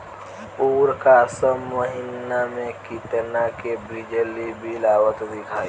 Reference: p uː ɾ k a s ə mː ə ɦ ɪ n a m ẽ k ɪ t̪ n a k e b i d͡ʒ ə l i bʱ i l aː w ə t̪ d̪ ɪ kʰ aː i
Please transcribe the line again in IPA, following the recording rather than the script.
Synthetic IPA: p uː ɾ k a s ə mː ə ɦ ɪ n a m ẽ k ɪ t̪ n a k e b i d͡ʒ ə l i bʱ i l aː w ə t̪ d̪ ɪ kʰ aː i